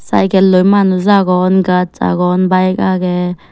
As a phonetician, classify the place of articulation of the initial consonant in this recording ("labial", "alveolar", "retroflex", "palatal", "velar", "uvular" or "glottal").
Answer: alveolar